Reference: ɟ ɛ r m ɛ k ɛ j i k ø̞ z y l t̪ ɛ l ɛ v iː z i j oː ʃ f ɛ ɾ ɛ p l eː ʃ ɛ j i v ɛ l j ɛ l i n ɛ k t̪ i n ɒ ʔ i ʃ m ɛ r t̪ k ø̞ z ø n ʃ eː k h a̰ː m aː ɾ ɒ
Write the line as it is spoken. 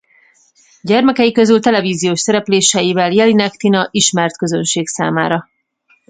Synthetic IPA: ɟ ɛ r m ɛ k ɛ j i k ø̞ z y l t̪ ɛ l ɛ v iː z i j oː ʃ s ɛ ɾ ɛ p l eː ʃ ɛ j i v ɛ l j ɛ l i n ɛ k t̪ i n ɒ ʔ i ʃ m ɛ r t̪ k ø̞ z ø n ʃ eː k s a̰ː m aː ɾ ɒ